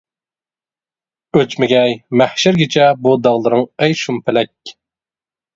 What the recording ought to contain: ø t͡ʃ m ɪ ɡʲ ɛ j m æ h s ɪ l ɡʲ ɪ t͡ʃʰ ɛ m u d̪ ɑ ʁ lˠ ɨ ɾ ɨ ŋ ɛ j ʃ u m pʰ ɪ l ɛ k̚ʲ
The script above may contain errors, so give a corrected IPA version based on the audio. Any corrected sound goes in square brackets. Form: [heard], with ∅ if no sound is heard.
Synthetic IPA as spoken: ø t͡ʃ m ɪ ɡʲ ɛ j m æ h [ʃ] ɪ [ɾ] ɡʲ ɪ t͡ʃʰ ɛ [b] u d̪ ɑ ʁ lˠ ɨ ɾ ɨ ŋ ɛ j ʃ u m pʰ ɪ l ɛ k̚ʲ